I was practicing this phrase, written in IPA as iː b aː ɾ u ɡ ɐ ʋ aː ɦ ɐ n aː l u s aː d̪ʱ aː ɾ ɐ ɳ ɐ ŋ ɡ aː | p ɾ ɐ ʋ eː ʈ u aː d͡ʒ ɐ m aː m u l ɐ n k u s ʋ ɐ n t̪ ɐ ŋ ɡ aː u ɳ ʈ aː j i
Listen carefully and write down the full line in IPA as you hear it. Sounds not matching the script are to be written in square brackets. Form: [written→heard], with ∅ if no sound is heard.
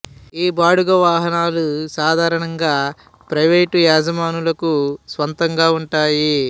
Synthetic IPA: iː b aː [ɾ→ɽ] u ɡ ɐ ʋ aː ɦ ɐ n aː l u s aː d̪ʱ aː ɾ ɐ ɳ ɐ ŋ ɡ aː | p ɾ ɐ ʋ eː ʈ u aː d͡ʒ ɐ m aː [m→n] u l ɐ [n→∅] k u s ʋ ɐ n t̪ ɐ ŋ ɡ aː u ɳ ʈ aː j i

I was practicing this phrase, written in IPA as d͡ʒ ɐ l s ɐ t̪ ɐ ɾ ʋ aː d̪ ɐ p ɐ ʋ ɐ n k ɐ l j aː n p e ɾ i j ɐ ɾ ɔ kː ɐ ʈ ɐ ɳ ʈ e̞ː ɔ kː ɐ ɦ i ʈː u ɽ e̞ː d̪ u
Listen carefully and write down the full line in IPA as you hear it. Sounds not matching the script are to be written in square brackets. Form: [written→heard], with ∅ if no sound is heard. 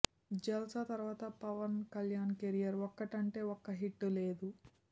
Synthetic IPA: d͡ʒ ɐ l s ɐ t̪ ɐ ɾ ʋ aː [d̪→t̪] ɐ p ɐ ʋ ɐ n k ɐ l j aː n [p→k] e ɾ i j ɐ ɾ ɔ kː ɐ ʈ ɐ ɳ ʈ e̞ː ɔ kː ɐ ɦ i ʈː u [ɽ→l] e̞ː d̪ u

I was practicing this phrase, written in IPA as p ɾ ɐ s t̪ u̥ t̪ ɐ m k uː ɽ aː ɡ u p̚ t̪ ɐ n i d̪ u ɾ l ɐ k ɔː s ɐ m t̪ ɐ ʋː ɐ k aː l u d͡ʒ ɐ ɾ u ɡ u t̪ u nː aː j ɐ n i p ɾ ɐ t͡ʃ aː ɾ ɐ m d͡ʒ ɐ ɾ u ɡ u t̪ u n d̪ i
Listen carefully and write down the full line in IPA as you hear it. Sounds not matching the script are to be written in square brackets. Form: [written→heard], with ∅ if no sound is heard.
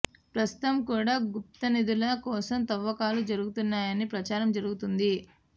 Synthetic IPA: p ɾ ɐ s t̪ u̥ t̪ ɐ m k uː ɽ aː ɡ u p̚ t̪ ɐ n i d̪ u [ɾ→∅] l ɐ k ɔː s ɐ m t̪ ɐ ʋː ɐ k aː l u d͡ʒ ɐ ɾ u ɡ u t̪ u nː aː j ɐ n i p ɾ ɐ t͡ʃ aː ɾ ɐ m d͡ʒ ɐ ɾ u ɡ u t̪ u n d̪ i

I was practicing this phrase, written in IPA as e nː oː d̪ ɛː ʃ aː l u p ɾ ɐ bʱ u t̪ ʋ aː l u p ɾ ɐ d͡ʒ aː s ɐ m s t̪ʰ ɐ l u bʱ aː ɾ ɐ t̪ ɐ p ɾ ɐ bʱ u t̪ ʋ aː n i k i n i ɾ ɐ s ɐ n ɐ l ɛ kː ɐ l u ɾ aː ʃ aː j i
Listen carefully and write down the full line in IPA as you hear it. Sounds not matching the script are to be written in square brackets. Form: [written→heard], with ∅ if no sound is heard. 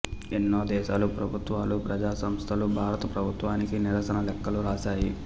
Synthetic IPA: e nː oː d̪ ɛː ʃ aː l u p ɾ ɐ bʱ u t̪ ʋ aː l u p ɾ ɐ d͡ʒ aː s ɐ m s t̪ʰ ɐ l u bʱ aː ɾ ɐ t̪ ɐ p ɾ ɐ bʱ u t̪ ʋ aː n i k i n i ɾ ɐ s ɐ n ɐ l ɛ kː ɐ l u ɾ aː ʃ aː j i

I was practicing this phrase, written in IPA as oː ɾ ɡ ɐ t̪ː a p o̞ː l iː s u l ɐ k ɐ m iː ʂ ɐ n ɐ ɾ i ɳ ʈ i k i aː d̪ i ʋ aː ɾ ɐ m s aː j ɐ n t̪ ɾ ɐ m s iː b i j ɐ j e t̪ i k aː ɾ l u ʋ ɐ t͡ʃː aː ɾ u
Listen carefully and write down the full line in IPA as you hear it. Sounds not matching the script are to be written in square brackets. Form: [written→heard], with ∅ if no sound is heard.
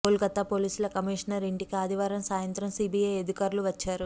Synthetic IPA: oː [ɾ→l] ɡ ɐ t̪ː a p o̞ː l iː s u l ɐ k ɐ m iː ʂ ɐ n ɐ ɾ i ɳ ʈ i k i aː d̪ i ʋ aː ɾ ɐ m s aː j ɐ n t̪ ɾ ɐ m s iː b i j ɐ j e [t̪→d̪] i k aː ɾ l u ʋ ɐ t͡ʃː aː ɾ u

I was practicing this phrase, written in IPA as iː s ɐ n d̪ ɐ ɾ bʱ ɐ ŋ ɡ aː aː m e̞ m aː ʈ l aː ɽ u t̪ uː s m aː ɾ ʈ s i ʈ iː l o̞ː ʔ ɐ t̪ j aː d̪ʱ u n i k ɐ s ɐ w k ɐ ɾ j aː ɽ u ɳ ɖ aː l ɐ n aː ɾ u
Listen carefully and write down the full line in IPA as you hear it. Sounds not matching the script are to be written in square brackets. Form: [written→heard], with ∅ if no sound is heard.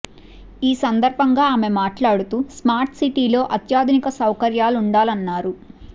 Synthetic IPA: iː s ɐ n d̪ ɐ ɾ bʱ ɐ ŋ ɡ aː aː m e̞ m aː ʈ l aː ɽ u t̪ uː s m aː ɾ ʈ s i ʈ iː l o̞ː ʔ ɐ t̪ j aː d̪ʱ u n i k ɐ s ɐ w k ɐ ɾ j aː [ɽ→l] u ɳ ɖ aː l ɐ [n→nː] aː ɾ u

